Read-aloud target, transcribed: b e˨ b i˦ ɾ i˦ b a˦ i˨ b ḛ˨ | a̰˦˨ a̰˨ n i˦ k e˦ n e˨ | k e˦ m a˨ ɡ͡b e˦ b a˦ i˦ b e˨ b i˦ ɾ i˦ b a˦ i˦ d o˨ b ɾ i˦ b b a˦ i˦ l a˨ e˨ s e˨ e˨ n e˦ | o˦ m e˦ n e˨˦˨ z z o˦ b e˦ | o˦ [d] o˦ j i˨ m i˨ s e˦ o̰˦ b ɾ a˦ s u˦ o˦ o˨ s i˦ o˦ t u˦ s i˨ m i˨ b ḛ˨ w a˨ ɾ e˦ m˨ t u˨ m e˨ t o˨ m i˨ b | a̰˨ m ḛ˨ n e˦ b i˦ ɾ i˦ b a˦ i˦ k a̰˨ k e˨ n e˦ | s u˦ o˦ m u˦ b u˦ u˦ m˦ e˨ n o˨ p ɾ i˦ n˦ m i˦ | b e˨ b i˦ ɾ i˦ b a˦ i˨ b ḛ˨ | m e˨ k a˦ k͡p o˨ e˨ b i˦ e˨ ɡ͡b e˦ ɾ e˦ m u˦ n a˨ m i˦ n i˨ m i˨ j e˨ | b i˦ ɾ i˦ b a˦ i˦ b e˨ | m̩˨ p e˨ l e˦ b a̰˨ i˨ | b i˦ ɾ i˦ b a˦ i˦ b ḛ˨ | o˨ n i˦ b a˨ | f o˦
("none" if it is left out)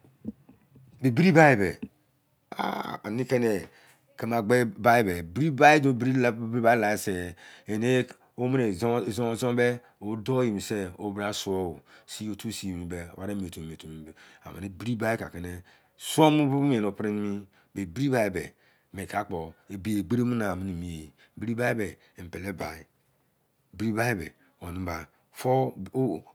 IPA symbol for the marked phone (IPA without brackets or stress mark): d